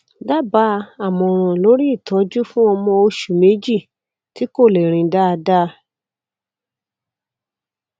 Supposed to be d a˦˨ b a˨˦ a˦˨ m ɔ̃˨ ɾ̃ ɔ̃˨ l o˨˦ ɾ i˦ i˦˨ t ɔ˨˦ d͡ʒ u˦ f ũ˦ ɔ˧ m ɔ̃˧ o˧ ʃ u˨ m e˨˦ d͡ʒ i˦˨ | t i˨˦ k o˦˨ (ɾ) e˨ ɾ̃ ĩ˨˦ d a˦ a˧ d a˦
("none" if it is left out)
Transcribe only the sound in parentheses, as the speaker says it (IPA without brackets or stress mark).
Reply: l